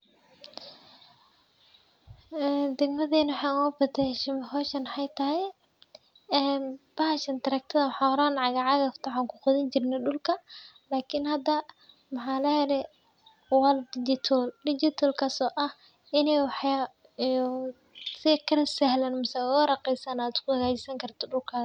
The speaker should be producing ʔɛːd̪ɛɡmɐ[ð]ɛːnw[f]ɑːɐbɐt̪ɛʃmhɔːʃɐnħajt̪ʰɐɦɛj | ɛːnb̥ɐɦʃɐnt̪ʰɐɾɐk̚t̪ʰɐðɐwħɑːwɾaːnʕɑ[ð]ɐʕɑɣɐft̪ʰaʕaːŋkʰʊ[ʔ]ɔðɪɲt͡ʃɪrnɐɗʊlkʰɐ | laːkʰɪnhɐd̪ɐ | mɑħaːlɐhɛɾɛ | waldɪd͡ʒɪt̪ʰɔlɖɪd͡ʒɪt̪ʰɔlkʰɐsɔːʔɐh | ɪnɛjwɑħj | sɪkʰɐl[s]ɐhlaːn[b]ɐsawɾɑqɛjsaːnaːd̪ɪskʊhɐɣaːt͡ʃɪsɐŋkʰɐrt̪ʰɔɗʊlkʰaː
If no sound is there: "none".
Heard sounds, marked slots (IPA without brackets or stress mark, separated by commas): ð, ħ, ɣ, q, s, m